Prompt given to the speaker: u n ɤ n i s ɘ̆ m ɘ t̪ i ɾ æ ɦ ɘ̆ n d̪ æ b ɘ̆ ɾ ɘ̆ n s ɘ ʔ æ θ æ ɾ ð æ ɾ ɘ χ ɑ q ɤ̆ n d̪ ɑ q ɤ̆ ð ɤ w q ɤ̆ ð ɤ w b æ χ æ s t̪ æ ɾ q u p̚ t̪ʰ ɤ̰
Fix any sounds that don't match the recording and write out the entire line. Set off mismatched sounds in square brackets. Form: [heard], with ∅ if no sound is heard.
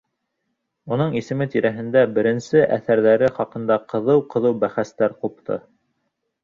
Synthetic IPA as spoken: u n ɤ [ɴ] i s ɘ̆ m ɘ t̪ i ɾ æ ɦ ɘ̆ n d̪ æ b ɘ̆ ɾ ɘ̆ n s ɘ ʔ æ θ æ ɾ ð æ ɾ ɘ χ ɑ q ɤ̆ n d̪ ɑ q ɤ̆ ð ɤ w q ɤ̆ ð ɤ w b æ χ æ s t̪ æ ɾ q u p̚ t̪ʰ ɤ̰